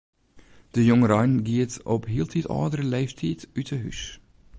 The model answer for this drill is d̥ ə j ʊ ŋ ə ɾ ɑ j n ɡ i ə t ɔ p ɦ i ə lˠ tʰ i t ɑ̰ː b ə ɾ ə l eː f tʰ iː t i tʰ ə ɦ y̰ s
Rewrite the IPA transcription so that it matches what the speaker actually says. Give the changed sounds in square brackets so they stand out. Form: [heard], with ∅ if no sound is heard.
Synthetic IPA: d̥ ə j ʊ ŋ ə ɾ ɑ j n ɡ i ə t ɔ p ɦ i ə lˠ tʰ i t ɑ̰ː [d] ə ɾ ə l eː f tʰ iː t [y] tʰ ə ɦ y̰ s